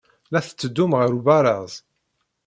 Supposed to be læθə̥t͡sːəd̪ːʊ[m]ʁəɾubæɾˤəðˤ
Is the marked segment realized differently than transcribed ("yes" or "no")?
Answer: no